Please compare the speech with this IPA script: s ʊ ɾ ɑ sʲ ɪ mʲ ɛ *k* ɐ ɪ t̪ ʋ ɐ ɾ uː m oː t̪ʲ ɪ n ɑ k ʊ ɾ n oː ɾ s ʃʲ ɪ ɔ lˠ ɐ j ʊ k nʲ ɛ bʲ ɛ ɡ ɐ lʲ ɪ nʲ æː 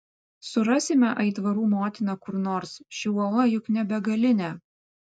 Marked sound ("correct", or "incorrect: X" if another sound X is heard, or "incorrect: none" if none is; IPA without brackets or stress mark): incorrect: ʔ